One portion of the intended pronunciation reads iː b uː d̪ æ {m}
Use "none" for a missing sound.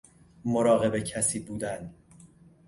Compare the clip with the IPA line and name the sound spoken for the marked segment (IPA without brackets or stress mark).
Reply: n